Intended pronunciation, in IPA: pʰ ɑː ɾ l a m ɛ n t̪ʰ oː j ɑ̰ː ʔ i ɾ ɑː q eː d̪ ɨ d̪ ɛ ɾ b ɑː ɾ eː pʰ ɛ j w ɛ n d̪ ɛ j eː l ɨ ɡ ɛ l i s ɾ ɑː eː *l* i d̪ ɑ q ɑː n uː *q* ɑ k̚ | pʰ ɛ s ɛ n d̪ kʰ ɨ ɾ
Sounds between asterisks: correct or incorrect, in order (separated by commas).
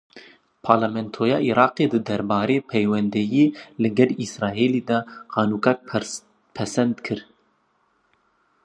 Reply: correct, incorrect